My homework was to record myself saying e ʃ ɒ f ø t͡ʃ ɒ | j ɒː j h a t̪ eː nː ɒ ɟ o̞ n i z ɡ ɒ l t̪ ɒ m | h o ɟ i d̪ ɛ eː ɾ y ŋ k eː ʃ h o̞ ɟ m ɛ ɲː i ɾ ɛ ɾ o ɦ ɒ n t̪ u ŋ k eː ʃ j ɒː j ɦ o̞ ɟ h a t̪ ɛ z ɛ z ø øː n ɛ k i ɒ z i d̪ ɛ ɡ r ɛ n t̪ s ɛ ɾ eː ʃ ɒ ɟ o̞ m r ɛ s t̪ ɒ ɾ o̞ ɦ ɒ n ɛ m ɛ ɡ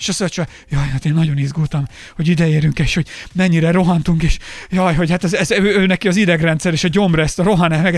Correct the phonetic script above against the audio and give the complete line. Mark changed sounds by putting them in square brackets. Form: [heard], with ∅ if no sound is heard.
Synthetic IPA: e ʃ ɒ [s] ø t͡ʃ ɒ | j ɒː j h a t̪ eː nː ɒ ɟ o̞ n i z ɡ [u] l t̪ ɒ m | h o ɟ i d̪ ɛ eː ɾ y ŋ k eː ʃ h o̞ ɟ m ɛ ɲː i ɾ ɛ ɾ o ɦ ɒ n t̪ u ŋ k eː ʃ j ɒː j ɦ o̞ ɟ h a t̪ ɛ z ɛ z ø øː n ɛ k i ɒ z i d̪ ɛ ɡ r ɛ n t̪ s ɛ ɾ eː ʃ ɒ ɟ o̞ m r ɛ s t̪ ɒ ɾ o̞ ɦ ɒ n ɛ m ɛ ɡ